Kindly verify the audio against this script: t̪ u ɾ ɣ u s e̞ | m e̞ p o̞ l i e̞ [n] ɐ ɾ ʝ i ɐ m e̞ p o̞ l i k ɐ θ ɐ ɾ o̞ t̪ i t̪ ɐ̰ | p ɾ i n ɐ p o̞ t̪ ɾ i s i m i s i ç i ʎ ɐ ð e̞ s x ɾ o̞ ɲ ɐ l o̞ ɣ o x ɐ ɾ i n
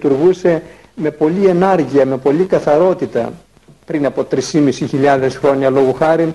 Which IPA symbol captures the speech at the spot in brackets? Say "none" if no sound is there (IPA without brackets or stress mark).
n